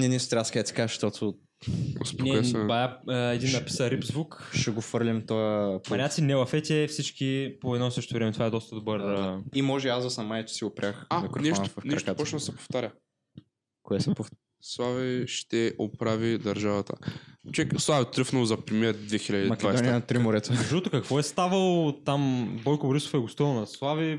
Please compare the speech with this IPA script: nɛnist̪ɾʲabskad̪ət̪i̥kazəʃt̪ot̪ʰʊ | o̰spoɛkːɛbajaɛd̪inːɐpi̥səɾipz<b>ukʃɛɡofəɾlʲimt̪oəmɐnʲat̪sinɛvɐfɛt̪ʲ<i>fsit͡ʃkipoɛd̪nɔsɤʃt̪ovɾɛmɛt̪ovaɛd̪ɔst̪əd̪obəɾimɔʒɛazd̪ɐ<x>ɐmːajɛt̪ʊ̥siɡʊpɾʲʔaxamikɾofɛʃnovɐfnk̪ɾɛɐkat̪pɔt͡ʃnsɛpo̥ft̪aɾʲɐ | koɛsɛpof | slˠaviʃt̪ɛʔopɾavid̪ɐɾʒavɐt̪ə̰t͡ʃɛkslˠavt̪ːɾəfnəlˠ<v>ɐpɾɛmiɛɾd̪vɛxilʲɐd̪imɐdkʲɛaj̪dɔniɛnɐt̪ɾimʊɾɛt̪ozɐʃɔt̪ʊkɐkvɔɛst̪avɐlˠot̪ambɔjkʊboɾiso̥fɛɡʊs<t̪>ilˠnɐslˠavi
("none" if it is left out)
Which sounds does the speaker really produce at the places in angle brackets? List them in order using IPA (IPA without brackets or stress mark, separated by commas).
v, ɛ, s, z, t̪